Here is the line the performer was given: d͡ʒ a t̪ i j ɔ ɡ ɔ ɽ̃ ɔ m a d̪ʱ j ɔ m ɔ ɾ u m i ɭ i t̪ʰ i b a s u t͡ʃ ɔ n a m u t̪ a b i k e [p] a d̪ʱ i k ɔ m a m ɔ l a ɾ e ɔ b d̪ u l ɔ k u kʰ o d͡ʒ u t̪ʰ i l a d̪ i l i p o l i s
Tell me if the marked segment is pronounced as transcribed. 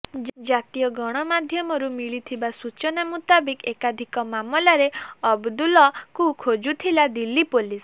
no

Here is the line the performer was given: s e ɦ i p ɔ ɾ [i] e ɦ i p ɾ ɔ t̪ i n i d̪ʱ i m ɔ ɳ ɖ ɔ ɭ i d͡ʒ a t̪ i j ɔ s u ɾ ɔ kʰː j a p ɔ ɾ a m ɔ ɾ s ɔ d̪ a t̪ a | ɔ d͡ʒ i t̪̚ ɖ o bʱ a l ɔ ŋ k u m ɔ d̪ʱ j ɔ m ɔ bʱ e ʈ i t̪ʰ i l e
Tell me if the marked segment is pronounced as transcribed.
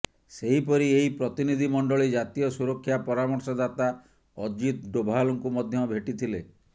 yes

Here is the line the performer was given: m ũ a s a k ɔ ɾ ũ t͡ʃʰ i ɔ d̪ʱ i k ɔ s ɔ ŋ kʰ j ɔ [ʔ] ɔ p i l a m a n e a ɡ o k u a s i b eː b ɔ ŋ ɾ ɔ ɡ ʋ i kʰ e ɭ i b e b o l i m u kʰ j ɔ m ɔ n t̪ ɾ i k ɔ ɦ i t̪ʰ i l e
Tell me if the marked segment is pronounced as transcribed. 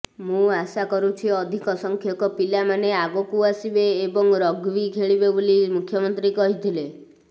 no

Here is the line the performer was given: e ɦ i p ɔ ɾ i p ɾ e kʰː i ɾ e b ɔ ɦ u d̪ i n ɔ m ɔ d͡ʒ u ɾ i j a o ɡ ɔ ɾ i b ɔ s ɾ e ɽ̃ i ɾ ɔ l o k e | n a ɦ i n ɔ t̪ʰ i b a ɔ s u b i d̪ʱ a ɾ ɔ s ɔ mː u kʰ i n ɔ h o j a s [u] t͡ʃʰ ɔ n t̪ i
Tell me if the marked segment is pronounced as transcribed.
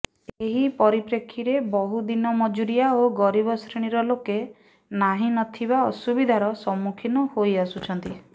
yes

